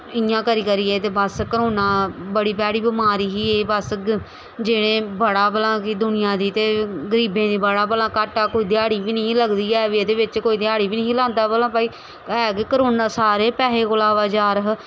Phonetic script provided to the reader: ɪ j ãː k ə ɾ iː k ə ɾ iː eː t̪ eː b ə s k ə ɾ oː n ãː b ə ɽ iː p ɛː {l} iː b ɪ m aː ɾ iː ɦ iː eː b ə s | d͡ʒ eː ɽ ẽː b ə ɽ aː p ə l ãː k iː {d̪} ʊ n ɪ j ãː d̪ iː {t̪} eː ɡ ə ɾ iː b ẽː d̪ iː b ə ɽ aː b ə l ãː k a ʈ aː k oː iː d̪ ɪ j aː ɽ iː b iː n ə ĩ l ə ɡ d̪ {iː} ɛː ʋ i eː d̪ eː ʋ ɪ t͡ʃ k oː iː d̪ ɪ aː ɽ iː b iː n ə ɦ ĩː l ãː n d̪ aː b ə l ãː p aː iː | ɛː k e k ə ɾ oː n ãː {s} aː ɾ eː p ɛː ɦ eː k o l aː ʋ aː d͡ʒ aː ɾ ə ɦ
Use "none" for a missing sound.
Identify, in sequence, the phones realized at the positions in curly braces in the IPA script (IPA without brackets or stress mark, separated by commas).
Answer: ɽ, d̪, t̪, iː, s